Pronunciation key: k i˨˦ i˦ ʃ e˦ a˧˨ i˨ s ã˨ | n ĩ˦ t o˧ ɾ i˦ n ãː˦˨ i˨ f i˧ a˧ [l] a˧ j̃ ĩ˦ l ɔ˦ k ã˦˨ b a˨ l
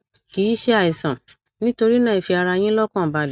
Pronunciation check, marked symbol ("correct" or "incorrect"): incorrect